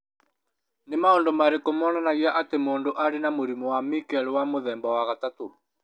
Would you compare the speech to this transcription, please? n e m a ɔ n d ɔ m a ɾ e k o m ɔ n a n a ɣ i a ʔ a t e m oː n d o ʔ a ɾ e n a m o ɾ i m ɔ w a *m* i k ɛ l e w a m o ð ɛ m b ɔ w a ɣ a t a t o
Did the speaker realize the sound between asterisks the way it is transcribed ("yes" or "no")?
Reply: yes